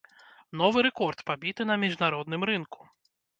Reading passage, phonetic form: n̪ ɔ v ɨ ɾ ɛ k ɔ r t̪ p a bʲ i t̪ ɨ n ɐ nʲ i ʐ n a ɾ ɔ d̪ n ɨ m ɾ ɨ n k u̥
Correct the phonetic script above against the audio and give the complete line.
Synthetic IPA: n̪ ɔ v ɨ ɾ ɛ k ɔ r t̪ p a bʲ i t̪ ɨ n ɐ mʲ i ʐ n a ɾ ɔ d̪ n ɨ m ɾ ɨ n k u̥

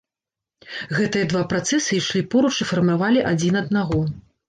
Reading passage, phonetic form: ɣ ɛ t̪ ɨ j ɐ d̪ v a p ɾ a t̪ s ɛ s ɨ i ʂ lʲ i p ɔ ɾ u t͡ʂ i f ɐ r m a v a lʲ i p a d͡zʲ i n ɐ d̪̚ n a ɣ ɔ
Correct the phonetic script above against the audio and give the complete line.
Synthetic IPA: ɣ ɛ t̪ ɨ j ɐ d̪ v a p ɾ a t̪ s ɛ s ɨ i ʂ lʲ i p ɔ ɾ u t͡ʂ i f ɐ r m a v a lʲ i ʔ a d͡zʲ i n ɐ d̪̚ n a ɣ ɔ

